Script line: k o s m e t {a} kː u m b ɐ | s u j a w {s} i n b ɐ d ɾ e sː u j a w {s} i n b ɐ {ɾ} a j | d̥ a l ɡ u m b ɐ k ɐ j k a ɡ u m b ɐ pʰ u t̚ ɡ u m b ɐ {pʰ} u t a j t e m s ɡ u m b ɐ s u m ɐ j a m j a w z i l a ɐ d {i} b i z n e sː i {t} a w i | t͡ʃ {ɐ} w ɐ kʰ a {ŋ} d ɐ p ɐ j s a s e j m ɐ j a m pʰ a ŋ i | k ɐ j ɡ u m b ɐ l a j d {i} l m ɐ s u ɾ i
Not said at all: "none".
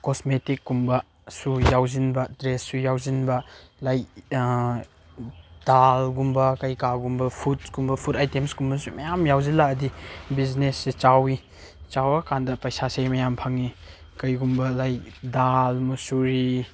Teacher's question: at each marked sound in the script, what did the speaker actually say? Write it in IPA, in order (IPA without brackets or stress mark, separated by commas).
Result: i, z, z, l, pʰ, i, t͡ʃ, a, n, a